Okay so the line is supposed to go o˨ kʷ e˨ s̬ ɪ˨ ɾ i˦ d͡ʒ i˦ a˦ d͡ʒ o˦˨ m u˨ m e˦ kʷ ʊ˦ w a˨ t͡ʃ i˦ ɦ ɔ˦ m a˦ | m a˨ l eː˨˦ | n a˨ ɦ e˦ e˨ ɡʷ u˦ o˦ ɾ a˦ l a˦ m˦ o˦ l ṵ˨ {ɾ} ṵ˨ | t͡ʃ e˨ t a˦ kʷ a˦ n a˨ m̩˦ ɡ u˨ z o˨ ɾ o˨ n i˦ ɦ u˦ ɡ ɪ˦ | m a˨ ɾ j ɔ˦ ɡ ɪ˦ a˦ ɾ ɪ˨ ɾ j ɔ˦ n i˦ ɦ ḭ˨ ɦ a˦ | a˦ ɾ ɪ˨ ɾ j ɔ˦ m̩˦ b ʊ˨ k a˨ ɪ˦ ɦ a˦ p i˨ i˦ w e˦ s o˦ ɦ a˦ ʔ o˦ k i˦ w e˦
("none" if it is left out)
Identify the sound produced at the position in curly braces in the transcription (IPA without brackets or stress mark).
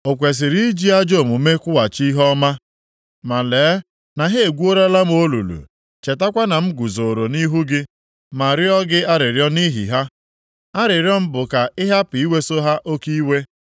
l